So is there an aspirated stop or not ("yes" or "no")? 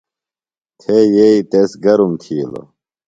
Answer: yes